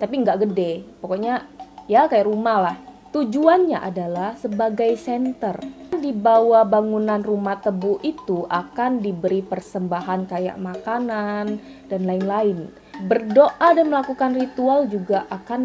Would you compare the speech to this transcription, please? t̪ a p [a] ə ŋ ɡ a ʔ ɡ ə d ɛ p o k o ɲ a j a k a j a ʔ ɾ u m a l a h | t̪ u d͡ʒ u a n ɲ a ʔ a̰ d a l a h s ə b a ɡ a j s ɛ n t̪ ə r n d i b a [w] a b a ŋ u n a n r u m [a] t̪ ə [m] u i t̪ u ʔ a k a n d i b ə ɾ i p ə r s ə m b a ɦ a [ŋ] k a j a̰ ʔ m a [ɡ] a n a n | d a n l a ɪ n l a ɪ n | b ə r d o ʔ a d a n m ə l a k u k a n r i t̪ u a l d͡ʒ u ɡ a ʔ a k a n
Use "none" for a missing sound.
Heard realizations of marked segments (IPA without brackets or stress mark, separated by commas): i, w, a, b, n, k